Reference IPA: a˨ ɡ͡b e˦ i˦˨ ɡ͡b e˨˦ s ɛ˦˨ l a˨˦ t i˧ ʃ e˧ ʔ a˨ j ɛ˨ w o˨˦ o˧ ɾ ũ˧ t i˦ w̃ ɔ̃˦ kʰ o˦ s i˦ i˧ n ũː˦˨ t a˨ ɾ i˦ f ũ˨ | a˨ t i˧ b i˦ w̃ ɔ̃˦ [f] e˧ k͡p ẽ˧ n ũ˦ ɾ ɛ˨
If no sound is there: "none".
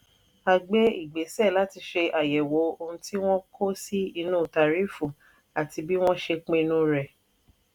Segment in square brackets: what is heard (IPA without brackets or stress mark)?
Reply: ʃ